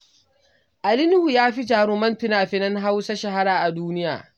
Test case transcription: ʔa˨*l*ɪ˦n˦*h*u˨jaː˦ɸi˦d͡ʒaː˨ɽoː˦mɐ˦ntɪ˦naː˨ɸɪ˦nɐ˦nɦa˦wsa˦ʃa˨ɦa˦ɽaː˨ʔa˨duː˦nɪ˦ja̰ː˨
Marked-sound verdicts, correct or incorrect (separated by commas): correct, correct